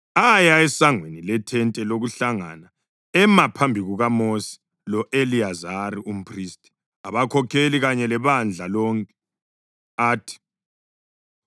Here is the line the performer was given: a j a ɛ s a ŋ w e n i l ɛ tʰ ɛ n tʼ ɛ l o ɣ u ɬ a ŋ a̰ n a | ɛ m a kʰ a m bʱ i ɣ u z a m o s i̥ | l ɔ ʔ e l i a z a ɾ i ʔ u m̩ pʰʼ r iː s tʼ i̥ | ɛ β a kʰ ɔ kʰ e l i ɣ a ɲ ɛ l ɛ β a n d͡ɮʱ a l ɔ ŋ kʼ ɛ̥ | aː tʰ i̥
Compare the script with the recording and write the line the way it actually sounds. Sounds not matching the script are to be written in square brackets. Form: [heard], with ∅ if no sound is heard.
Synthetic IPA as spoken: a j a ɛ s a ŋ w e n i l ɛ tʰ ɛ n tʼ ɛ l o ɣ u ɬ a ŋ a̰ n a | ɛ m a [pʰ] a m bʱ i ɣ u [ɣ] a m o s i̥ | l ɔ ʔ e l i a z a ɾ i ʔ u m̩ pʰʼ r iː s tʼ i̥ | [a] β a kʰ ɔ kʰ e l i ɣ a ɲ ɛ l ɛ β a n d͡ɮʱ a l ɔ ŋ kʼ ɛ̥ | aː tʰ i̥

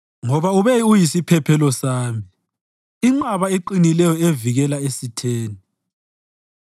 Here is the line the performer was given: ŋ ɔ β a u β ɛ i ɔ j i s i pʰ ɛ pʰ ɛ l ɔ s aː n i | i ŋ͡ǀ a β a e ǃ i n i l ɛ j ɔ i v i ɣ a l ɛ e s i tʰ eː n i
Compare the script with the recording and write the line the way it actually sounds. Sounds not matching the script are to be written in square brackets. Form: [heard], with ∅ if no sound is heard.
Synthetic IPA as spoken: ŋ ɔ β a u β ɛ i [u] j i s i pʰ ɛ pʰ ɛ l ɔ s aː [m] i | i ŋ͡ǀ a β a e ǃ i n i l ɛ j ɔ [e] v i ɣ [ɛ] l [a] e s i tʰ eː n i

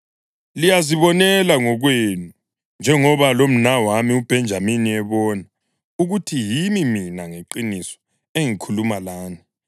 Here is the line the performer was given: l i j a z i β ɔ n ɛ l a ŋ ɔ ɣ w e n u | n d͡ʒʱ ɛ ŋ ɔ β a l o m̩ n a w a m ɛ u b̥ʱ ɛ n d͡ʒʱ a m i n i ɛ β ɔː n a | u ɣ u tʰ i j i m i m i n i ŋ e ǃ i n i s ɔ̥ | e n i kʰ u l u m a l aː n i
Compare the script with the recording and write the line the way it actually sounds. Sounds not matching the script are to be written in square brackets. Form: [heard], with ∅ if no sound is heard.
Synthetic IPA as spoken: l i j a z i β ɔ n ɛ l a ŋ ɔ ɣ w e n u | n d͡ʒʱ ɛ ŋ ɔ β a l o m̩ n a w a m [i] u b̥ʱ ɛ n d͡ʒʱ a m i n i ɛ β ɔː n a | u ɣ u tʰ i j i m i m i n [a] ŋ e ǃ i n i s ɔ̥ | e [ŋ] i kʰ u l u m a l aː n i

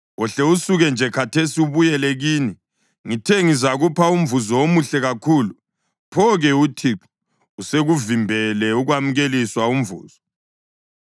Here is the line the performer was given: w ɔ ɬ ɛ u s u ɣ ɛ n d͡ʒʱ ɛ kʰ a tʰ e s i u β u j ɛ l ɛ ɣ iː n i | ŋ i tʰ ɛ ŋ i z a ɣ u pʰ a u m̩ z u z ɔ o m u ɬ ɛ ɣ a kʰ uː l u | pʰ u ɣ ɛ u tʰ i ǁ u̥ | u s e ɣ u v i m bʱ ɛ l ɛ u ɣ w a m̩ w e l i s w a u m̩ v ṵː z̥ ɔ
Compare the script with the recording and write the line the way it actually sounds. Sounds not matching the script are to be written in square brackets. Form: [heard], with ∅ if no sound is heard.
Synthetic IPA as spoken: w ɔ ɬ ɛ u s u ɣ ɛ n d͡ʒʱ ɛ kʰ a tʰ e s i u β u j ɛ l ɛ ɣ iː n i | ŋ i tʰ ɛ ŋ i z a ɣ u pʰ a u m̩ [v] u z ɔ o m u ɬ ɛ ɣ a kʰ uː l u | pʰ [ɔ] ɣ ɛ u tʰ i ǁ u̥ | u s e ɣ u v i m bʱ ɛ l ɛ u ɣ w a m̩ [ɣ] e l i s w a u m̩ v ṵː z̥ ɔ

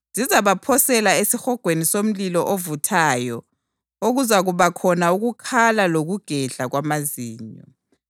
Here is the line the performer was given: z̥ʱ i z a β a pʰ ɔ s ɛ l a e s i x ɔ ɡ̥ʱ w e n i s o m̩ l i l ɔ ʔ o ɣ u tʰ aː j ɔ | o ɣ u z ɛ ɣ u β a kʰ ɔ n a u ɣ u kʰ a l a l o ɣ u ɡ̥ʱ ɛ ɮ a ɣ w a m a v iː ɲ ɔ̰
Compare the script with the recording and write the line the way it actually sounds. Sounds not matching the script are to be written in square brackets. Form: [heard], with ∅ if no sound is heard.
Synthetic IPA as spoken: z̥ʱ i z a β a pʰ ɔ s ɛ l a e s i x ɔ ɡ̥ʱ w e n i s o m̩ l i l ɔ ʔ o [v] u tʰ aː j ɔ | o ɣ u z [a] ɣ u β a kʰ ɔ n a u ɣ u kʰ a l a l o ɣ u ɡ̥ʱ ɛ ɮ a ɣ w a m a [z] iː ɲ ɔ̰

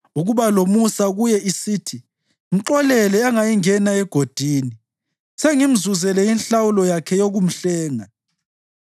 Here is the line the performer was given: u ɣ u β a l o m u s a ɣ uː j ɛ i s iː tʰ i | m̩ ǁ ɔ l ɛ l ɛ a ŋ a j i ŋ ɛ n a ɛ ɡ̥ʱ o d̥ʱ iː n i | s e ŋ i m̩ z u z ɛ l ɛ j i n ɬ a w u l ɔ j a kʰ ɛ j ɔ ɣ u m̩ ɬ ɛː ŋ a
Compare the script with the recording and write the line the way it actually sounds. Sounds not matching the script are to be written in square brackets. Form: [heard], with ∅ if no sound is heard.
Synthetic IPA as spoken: u ɣ u β a l o m u s a ɣ [u] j ɛ i s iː tʰ i | m̩ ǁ ɔ l ɛ l ɛ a ŋ a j i ŋ ɛ n a ɛ ɡ̥ʱ o d̥ʱ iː n i | s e ŋ i m̩ z u z ɛ l ɛ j i n ɬ a w u l ɔ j a kʰ ɛ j [o] ɣ u m̩ ɬ ɛː ŋ a

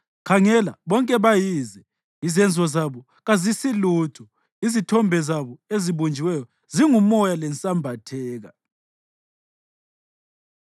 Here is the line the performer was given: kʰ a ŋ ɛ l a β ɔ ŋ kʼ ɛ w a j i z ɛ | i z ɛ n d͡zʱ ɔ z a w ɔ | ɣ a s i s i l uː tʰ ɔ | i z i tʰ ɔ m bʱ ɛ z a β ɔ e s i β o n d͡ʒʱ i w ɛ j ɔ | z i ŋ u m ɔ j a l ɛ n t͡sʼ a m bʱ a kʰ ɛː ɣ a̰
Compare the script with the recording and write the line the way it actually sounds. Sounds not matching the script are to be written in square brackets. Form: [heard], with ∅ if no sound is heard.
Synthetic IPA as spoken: kʰ a ŋ ɛ l a β ɔ ŋ kʼ ɛ [β] a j i z ɛ | i z ɛ n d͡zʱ ɔ z a [β] ɔ | ɣ a [z] i s i l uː tʰ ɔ | i z i tʰ ɔ m bʱ ɛ z a β ɔ e [z] i β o n d͡ʒʱ i w ɛ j ɔ | z i ŋ u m ɔ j a l ɛ n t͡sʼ a m bʱ a [tʰ] ɛː ɣ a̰

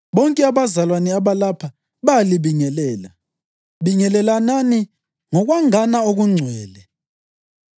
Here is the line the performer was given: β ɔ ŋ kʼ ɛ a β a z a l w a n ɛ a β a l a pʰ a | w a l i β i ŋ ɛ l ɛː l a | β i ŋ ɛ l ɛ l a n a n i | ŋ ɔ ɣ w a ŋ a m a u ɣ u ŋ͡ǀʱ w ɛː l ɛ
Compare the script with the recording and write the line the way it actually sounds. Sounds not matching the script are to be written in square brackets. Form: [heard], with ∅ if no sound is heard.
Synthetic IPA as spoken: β ɔ ŋ kʼ ɛ a β a z a l w a n ɛ a β a l a pʰ a | [β] a l i β i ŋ ɛ l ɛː l a | β i ŋ ɛ l ɛ l a n a n i | ŋ ɔ ɣ w a ŋ a [n] a [o] ɣ u ŋ͡ǀʱ w ɛː l ɛ

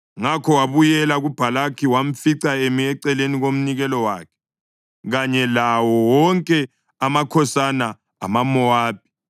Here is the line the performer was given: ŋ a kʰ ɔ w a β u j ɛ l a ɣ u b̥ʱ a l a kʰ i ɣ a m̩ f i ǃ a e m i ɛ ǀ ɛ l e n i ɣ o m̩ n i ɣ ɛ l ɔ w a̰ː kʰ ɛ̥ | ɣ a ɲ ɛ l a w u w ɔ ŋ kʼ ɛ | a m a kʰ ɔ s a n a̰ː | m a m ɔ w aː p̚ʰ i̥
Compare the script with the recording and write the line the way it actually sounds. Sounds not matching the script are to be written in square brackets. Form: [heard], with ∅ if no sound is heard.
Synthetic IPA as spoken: ŋ a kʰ ɔ w a β u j ɛ l a ɣ u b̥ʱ a l a kʰ i [w] a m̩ f i [ǀ] a e m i ɛ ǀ ɛ l e n i ɣ o m̩ n i ɣ ɛ l ɔ w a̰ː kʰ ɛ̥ | ɣ a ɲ ɛ l a w [ɔ] w ɔ ŋ kʼ ɛ | a m a kʰ ɔ s a n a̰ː | m a m ɔ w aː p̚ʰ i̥

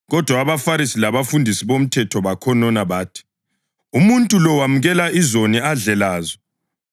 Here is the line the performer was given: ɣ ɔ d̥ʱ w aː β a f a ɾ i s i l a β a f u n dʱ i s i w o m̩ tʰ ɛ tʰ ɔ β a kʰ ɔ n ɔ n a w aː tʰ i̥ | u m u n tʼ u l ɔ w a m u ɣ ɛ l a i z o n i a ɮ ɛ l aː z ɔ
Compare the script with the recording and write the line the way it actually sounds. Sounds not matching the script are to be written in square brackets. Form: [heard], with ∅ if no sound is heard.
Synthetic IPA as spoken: ɣ ɔ d̥ʱ w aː β a f a ɾ i s i l a β a f u n dʱ i s i [β] o m̩ tʰ ɛ tʰ ɔ β a kʰ ɔ n ɔ n a [β] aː tʰ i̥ | u m u n tʼ u l ɔ w a m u ɣ ɛ l a i z o n i a ɮ ɛ l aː z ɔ

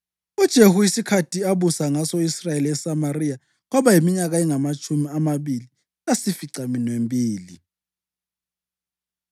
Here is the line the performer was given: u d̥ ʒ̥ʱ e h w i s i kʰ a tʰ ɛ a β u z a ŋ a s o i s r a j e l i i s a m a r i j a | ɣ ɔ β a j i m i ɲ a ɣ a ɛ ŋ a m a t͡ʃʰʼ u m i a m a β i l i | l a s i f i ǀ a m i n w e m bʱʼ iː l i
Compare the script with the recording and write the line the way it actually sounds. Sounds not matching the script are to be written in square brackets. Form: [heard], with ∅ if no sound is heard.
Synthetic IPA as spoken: u d̥ ʒ̥ʱ e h [u] i s i kʰ a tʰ [i] a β u [s] a ŋ a s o i s r a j e l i [ɛ] s a m a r i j a | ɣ ɔ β a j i m i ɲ a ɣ a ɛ ŋ a m a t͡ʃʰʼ u m i a m a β i l i | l a s i f i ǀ a m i n w e m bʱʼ iː l i

